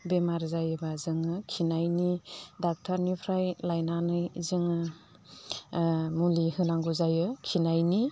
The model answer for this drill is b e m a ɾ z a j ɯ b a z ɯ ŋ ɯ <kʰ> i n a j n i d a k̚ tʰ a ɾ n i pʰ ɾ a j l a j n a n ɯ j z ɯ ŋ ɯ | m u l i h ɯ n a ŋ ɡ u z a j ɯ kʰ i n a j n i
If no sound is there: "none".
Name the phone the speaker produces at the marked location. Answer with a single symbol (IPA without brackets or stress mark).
kʰ